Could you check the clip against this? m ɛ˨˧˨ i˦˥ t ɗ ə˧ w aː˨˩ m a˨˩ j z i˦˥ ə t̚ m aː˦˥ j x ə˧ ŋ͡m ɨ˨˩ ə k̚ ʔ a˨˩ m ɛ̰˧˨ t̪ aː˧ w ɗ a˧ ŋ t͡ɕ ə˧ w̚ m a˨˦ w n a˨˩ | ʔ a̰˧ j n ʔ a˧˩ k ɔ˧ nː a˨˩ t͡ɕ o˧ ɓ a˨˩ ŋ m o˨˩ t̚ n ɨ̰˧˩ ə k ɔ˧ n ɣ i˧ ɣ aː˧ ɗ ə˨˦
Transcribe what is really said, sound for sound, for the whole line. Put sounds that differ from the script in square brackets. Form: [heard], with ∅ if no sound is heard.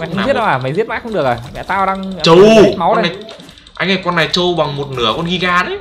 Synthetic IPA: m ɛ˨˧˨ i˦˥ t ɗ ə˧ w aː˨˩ m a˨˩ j z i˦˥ ə t̚ m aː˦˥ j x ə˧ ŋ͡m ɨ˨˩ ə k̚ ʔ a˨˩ m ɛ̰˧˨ t̪ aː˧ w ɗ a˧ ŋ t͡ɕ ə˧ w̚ m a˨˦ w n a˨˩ | ʔ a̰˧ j [ŋ] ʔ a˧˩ k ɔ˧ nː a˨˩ t͡ɕ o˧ ɓ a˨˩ ŋ m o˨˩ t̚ n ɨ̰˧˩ ə k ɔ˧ n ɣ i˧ ɣ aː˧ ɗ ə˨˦